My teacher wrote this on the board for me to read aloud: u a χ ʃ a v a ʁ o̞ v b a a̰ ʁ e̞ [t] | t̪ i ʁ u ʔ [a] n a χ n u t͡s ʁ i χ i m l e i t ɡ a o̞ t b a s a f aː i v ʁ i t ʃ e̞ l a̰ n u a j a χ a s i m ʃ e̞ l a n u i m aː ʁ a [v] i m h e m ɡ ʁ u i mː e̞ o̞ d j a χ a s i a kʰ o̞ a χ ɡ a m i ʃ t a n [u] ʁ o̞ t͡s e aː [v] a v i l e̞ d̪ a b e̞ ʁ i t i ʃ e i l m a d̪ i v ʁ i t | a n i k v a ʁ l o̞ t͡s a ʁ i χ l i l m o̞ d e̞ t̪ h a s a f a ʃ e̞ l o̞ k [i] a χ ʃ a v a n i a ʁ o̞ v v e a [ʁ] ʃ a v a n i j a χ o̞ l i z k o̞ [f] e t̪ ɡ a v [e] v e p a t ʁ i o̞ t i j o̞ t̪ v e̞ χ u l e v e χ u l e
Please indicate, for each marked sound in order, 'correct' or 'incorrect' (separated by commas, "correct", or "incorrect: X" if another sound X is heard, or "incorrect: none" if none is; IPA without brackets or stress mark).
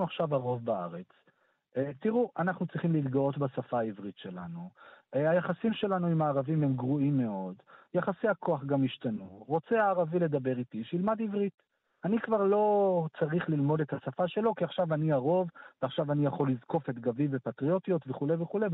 incorrect: t͡s, correct, correct, correct, incorrect: ʁ, correct, incorrect: χ, correct, incorrect: i